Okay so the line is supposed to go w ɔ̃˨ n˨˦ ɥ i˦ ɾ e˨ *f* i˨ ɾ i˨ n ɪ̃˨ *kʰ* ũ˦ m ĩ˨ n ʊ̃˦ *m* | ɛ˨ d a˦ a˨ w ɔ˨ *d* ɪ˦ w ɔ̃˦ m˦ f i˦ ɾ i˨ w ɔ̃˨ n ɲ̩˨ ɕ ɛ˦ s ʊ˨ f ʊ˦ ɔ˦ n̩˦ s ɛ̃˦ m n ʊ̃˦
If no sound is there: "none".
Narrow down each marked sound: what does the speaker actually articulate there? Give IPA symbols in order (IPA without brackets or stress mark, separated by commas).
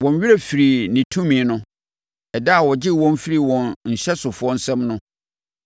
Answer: f, tʰ, none, d͡ʑ